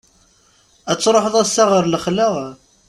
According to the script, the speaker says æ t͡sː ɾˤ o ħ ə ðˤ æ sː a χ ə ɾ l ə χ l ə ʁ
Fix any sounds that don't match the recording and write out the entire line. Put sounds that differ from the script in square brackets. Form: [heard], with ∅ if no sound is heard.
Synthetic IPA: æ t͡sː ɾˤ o ħ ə ðˤ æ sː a [ʁ] ə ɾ l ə χ l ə ʁ